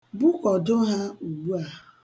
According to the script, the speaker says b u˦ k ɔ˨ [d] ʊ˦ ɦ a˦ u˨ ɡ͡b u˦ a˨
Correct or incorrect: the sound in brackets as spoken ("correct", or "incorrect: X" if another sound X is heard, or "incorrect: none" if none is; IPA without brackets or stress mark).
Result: correct